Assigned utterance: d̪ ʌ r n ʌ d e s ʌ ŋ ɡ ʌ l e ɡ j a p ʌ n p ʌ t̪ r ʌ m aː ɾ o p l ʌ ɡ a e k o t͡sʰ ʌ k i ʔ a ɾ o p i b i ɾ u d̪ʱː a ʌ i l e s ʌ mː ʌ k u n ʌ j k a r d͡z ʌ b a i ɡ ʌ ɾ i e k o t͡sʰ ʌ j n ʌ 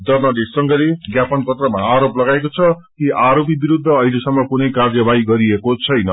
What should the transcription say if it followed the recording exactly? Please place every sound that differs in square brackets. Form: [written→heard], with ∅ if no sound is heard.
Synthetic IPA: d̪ ʌ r n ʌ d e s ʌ ŋ ɡ ʌ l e ɡ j a p ʌ n p ʌ t̪ r ʌ m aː ɾ o p l ʌ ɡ a e k o t͡sʰ ʌ k i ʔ a ɾ o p i b i ɾ u d̪ʱː [a→ʌ] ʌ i l e s ʌ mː ʌ k u n ʌ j k a r d͡z ʌ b a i ɡ ʌ ɾ i e k o t͡sʰ ʌ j n ʌ